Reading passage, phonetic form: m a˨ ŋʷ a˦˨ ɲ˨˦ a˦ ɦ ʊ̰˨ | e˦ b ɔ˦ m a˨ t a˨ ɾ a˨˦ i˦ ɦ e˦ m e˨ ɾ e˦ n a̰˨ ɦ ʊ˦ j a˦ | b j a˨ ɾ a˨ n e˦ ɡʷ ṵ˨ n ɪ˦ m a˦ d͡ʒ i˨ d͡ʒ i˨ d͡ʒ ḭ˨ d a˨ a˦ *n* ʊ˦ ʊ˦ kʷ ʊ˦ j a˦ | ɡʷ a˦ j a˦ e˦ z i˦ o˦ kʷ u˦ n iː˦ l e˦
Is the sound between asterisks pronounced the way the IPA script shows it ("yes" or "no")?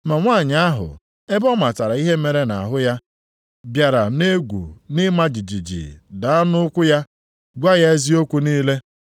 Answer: yes